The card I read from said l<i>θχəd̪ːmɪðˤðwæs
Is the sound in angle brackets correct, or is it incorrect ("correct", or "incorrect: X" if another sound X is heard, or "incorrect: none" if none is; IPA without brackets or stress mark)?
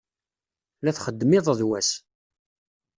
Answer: incorrect: æ